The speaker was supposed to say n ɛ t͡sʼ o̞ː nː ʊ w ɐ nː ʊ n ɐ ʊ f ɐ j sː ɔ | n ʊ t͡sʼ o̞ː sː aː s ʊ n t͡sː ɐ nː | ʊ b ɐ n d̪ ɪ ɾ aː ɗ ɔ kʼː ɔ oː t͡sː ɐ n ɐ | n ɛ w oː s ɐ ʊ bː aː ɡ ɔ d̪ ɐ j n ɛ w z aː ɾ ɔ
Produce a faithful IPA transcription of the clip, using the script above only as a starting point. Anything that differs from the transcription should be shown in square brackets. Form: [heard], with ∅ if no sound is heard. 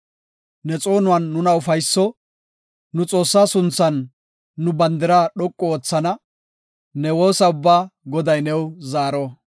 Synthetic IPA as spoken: n ɛ t͡sʼ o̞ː [n] ʊ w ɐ nː ʊ n ɐ ʊ f ɐ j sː ɔ | n ʊ t͡sʼ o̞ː sː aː s ʊ n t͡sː ɐ nː | ʊ b ɐ n d̪ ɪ ɾ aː ɗ ɔ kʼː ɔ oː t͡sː ɐ n ɐ | n ɛ w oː s ɐ ʊ bː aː ɡ ɔ d̪ ɐ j n ɛ w z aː ɾ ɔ